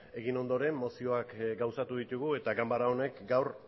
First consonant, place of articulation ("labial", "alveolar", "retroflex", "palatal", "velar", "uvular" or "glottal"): velar